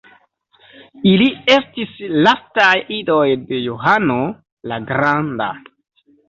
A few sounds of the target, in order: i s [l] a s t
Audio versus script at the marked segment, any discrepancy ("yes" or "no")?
no